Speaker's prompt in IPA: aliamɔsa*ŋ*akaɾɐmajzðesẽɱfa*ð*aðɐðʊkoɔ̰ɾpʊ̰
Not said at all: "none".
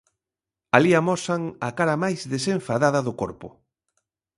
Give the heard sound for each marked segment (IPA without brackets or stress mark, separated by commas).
ŋ, ð